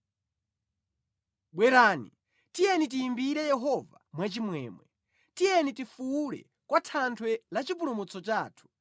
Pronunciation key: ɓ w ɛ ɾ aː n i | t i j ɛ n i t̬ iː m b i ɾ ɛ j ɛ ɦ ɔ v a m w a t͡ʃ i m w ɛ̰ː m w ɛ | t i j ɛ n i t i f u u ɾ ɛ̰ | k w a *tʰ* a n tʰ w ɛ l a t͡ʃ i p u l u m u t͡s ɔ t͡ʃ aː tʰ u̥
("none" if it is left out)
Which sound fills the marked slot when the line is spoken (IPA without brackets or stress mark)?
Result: tʰ